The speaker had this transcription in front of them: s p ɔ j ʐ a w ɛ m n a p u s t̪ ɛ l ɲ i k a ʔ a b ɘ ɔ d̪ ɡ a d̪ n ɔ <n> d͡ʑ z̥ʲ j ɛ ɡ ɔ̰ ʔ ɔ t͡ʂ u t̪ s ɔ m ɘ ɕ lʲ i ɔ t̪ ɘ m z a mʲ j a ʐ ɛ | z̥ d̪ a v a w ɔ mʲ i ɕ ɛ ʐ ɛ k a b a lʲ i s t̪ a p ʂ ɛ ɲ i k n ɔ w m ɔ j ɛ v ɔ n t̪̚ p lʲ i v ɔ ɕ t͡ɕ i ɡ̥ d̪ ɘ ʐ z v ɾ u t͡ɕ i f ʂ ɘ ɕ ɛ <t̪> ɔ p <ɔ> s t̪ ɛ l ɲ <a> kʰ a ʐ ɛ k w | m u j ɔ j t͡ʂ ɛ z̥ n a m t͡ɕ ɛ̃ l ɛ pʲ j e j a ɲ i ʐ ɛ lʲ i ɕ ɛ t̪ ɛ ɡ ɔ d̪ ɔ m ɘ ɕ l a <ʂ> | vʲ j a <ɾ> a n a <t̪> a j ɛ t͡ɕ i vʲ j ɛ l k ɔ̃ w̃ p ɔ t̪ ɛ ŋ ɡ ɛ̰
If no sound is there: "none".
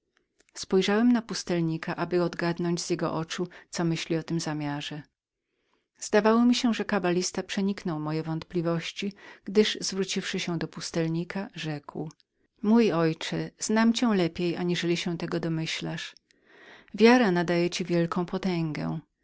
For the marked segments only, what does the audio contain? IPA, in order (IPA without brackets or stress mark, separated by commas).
ɲ, d̪, u, i, ʂ, ɾ, d̪